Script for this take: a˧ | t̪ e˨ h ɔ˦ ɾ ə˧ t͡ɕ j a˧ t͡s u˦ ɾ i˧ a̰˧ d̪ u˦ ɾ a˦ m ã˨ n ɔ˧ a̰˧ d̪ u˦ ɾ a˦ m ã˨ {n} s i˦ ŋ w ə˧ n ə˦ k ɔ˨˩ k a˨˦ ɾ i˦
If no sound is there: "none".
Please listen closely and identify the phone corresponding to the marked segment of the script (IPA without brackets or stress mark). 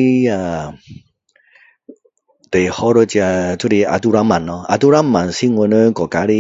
n